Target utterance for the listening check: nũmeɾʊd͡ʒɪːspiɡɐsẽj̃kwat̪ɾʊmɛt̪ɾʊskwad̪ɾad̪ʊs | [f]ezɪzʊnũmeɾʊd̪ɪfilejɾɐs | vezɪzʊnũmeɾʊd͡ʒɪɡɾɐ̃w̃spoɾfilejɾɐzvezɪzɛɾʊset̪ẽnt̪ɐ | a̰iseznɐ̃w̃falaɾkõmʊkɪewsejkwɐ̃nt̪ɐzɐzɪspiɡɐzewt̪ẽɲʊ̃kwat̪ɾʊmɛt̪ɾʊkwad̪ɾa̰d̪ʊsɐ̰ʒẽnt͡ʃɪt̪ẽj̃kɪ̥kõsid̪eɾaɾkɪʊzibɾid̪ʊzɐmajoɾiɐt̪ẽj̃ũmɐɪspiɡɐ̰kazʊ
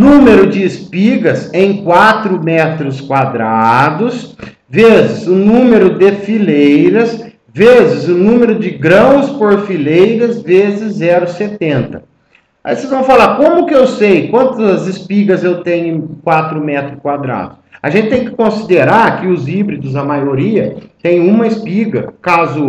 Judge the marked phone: incorrect: v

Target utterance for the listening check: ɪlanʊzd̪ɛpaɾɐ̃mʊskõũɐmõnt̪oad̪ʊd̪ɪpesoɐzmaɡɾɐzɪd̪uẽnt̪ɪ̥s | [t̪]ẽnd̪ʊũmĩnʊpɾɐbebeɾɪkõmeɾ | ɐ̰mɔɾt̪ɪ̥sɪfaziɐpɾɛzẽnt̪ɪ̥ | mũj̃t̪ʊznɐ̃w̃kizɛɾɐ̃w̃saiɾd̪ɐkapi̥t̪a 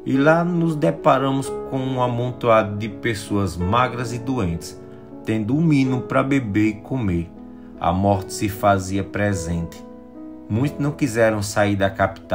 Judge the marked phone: correct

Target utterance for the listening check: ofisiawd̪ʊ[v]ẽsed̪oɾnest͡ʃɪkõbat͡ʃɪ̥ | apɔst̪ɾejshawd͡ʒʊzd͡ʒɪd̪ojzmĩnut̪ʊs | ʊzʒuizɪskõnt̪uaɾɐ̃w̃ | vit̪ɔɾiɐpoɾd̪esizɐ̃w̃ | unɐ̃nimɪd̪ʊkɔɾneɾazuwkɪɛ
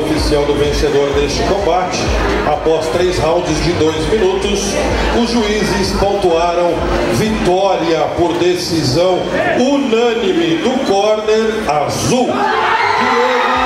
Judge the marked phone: correct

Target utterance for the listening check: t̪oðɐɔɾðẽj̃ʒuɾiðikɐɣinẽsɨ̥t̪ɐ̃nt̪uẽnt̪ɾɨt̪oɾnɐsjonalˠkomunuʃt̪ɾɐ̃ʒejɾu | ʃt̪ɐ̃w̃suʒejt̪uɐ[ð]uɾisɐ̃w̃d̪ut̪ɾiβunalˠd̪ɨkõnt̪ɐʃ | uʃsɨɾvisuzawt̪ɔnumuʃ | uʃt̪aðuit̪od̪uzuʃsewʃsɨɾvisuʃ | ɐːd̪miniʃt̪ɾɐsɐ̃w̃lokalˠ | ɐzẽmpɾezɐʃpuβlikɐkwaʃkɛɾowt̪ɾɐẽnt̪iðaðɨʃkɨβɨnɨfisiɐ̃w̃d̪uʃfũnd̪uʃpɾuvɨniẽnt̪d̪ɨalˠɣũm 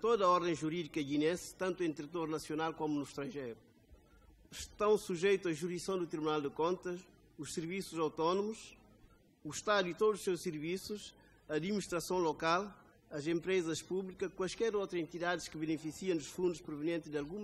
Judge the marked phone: incorrect: ʒ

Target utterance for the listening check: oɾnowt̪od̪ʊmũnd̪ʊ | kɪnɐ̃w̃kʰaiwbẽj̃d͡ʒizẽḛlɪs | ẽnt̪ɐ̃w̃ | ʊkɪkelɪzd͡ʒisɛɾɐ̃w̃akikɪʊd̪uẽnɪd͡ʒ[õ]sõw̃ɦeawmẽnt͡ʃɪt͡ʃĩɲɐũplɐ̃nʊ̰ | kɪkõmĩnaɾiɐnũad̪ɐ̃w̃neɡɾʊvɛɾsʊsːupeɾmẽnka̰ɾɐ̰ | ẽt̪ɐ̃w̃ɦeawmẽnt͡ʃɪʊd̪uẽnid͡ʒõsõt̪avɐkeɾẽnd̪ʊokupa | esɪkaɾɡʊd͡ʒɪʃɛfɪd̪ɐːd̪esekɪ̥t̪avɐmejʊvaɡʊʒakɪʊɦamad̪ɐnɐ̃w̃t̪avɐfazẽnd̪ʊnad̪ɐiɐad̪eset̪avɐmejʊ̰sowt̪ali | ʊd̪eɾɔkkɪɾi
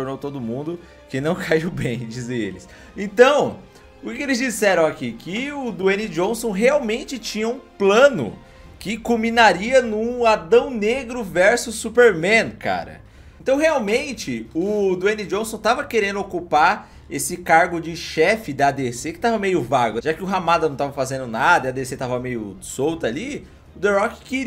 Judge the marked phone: correct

